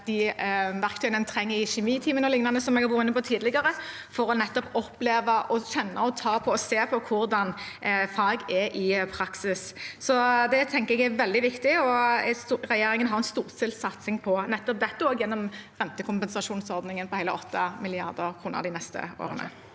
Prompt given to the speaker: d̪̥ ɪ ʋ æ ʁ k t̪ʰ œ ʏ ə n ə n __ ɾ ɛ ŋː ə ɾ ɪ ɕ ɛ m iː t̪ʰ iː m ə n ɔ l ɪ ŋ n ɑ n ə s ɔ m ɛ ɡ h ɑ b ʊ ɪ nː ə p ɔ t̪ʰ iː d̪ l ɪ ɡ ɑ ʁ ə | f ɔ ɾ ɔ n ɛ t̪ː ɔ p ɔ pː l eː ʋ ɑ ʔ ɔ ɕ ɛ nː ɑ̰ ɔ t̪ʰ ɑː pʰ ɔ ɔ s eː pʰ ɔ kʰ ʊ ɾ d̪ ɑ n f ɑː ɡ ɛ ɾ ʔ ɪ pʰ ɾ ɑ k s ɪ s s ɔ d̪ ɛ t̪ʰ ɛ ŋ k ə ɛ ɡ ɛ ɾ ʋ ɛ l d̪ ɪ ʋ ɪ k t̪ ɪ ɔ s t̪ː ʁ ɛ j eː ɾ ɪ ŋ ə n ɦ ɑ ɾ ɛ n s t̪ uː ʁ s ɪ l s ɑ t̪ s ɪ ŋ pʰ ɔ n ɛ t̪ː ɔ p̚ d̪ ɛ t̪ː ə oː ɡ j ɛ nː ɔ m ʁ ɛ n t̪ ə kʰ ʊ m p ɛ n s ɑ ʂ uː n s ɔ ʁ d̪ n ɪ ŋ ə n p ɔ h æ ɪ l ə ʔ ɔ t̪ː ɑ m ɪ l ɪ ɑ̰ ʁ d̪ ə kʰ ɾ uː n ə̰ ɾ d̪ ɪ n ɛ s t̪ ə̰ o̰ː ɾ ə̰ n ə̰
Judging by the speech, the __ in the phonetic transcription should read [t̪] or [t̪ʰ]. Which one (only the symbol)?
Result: t̪ʰ